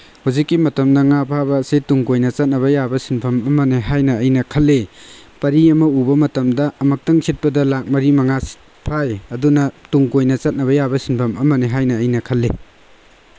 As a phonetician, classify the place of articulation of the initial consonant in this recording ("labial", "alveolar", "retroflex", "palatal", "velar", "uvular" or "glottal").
glottal